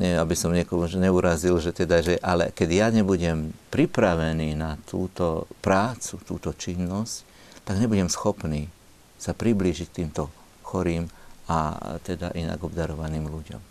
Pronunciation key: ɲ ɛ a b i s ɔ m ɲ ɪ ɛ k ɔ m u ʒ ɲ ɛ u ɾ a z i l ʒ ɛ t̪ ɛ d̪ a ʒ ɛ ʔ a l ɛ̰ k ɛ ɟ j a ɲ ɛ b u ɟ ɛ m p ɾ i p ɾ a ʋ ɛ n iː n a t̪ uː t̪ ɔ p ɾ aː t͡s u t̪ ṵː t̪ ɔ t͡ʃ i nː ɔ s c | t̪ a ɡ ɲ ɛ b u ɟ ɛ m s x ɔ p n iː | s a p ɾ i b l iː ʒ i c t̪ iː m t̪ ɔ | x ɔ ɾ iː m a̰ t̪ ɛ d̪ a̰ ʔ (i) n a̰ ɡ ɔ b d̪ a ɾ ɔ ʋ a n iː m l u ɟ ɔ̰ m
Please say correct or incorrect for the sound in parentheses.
correct